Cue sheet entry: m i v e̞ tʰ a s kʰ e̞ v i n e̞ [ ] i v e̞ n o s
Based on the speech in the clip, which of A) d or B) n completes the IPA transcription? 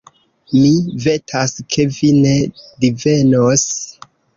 A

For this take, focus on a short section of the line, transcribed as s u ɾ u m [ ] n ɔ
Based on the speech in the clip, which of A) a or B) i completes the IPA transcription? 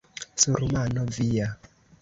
A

